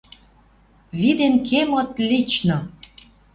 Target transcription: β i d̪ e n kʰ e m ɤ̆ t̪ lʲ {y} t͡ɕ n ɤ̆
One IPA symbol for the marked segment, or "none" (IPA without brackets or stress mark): i